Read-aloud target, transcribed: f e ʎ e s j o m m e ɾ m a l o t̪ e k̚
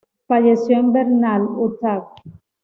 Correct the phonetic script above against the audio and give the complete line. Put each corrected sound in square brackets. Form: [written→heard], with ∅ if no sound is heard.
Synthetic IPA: f [e→a] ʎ e s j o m [m→b] e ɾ [m→n] a l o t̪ [e→a] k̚